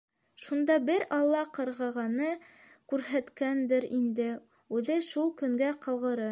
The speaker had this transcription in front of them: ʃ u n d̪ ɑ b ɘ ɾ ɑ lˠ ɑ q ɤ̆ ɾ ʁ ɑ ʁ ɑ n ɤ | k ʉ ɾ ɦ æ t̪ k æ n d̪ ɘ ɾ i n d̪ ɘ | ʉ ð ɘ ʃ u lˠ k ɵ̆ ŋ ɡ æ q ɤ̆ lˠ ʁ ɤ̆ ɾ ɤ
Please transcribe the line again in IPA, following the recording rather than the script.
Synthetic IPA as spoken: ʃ u n d̪ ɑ b ɘ ɾ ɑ lˠː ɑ q ɤ̆ ɾ ʁ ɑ ʁ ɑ n ɤ | k ʉ ɾ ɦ æ t̪ k æ n d̪ ɘ ɾ i n d̪ ɘ | ʉ ð ɘ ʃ u lˠ k ɵ̆ ŋ ɡ æ q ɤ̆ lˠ ʁ ɤ̆ ɾ ɤ